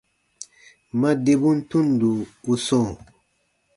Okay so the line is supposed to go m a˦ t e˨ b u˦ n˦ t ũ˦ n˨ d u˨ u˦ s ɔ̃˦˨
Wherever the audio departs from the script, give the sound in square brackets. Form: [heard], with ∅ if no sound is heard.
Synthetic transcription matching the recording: m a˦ [d] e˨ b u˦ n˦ t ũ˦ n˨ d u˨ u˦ s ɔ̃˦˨

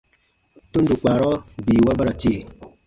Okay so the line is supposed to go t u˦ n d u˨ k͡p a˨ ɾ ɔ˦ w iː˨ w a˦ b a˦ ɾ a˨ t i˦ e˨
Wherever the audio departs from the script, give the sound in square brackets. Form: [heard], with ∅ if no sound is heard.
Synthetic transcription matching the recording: t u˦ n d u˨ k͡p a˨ ɾ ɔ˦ [b] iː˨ w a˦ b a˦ ɾ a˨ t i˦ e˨

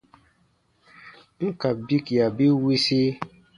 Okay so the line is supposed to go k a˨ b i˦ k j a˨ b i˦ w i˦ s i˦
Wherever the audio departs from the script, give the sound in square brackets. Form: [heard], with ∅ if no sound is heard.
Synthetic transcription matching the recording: k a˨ b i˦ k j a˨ b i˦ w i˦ s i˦

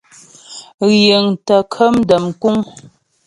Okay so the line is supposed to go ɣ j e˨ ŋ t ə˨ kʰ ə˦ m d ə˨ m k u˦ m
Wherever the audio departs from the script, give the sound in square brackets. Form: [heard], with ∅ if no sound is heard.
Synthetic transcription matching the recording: ɣ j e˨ ŋ t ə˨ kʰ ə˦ m d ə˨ m k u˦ [ŋ]

